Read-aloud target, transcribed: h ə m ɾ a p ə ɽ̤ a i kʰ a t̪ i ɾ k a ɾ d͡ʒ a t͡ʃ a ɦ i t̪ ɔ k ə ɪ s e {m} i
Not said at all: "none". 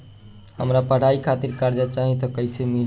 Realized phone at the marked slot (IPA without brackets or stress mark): m